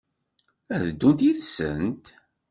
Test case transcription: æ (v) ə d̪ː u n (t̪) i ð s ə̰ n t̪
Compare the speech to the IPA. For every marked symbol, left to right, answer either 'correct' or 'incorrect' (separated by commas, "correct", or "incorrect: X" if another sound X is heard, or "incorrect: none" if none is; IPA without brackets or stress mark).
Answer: incorrect: ð, correct